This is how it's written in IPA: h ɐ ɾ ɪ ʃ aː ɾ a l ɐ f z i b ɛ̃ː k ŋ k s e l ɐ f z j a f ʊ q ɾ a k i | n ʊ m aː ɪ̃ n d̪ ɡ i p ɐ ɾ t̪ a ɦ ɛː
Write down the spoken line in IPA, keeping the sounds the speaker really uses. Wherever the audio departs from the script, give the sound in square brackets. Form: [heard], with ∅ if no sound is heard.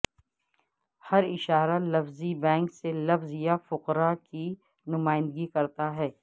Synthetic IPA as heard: h ɐ ɾ ɪ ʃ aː ɾ a l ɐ f z i b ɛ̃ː [∅] ŋ k s e l ɐ f z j a f ʊ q ɾ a k i | n ʊ m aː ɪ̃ n d̪ ɡ i [k] ɐ ɾ t̪ a ɦ ɛː

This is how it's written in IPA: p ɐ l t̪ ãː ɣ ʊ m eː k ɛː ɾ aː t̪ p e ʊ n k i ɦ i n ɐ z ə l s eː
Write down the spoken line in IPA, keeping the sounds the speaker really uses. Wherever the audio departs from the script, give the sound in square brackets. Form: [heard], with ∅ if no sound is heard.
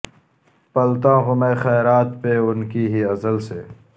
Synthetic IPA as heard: p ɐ l t̪ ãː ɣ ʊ m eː [x] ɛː ɾ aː t̪ p e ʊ n k i ɦ i [∅] ɐ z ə l s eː

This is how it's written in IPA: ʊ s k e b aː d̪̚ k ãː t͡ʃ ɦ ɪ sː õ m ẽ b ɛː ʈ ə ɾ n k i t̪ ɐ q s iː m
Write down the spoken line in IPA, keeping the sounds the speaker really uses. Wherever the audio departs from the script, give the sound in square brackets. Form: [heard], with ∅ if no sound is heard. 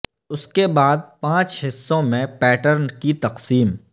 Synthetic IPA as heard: ʊ s k e b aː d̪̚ [p] ãː t͡ʃ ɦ ɪ sː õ m ẽ [p] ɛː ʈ ə ɾ n k i t̪ ɐ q s iː m

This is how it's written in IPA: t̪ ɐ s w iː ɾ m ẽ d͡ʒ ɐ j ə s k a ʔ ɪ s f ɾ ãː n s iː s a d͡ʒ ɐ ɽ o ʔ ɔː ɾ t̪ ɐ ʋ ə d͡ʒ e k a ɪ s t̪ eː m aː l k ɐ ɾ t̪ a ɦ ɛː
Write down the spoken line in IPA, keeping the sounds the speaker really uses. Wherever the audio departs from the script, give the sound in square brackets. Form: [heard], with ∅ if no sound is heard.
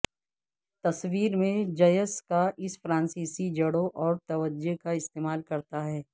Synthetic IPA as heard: t̪ ɐ s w iː ɾ m ẽ d͡ʒ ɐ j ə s k a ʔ ɪ s f ɾ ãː n s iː s [i] d͡ʒ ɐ ɽ o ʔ ɔː ɾ t̪ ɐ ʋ ə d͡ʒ e k a ɪ s t̪ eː m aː l k ɐ ɾ t̪ a ɦ ɛː

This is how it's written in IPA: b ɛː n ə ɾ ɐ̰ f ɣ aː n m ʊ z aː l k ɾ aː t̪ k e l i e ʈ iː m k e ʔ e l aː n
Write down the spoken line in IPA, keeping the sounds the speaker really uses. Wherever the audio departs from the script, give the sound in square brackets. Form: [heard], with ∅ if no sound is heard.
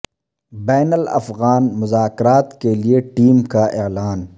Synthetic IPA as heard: b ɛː n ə [l] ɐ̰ f ɣ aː n m ʊ z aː [∅] k ɾ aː t̪ k e l i e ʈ iː m k [a] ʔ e l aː n

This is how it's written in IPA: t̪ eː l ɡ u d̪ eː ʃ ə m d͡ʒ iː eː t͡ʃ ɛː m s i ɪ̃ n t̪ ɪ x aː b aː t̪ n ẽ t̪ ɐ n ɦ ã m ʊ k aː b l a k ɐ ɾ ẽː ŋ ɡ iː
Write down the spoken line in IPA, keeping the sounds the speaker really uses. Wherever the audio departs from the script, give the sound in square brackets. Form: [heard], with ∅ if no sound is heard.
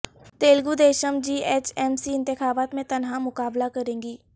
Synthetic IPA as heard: t̪ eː l ɡ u d̪ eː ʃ ə m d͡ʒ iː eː t͡ʃ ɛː m s i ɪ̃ n t̪ ɪ x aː b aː t̪ [m] ẽ t̪ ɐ n ɦ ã m ʊ k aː b l a k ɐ ɾ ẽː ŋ ɡ iː

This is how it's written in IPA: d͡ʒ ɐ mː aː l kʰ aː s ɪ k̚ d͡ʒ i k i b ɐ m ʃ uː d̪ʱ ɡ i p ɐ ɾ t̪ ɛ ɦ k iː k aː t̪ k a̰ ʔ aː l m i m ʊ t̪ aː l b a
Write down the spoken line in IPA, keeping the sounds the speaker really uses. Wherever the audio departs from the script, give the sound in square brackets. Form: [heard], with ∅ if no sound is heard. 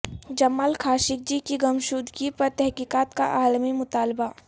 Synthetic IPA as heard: d͡ʒ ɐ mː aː l kʰ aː [ʃ] ɪ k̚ d͡ʒ i k i [ɡ] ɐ m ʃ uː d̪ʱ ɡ i p ɐ ɾ t̪ ɛ ɦ k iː k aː t̪ k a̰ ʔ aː l m i m ʊ t̪ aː l b a

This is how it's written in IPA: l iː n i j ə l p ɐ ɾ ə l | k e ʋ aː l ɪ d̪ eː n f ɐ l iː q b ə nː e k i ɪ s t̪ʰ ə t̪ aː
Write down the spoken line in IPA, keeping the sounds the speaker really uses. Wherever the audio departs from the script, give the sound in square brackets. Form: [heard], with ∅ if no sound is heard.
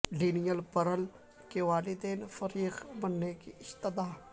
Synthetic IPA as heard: l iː n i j ə l p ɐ ɾ ə l | k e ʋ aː l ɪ d̪ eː n f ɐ [ɾ] iː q b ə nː e k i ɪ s [t̪] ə [d̪] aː

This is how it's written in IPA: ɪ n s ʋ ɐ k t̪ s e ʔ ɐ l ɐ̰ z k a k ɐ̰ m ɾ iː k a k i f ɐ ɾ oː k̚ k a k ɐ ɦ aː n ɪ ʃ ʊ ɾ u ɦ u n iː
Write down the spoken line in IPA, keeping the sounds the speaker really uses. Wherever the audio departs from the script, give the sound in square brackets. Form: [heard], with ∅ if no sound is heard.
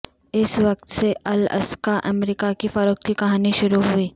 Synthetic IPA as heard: ɪ [∅] s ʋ ɐ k t̪ s e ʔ ɐ l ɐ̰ [s] k a [ʔ] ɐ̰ m ɾ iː k a k i f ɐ ɾ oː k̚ k [i] k ɐ ɦ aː n [i] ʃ ʊ ɾ u ɦ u [∅] iː

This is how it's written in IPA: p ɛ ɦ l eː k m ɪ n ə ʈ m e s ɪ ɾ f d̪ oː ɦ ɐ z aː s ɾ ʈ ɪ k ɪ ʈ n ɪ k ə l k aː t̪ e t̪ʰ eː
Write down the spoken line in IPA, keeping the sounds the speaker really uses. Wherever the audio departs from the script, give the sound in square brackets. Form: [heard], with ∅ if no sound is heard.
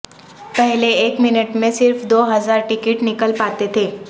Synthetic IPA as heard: p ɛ ɦ l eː k m ɪ n ə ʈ m [ẽ] s ɪ ɾ f d̪ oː ɦ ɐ z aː [∅] ɾ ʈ ɪ k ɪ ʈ n ɪ k ə l [p] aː t̪ e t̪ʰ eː

